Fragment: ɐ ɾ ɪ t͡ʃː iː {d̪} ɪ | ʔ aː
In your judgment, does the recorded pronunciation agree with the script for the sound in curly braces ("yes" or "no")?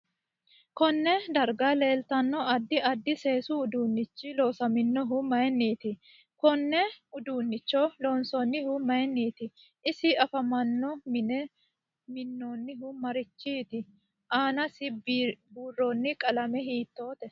no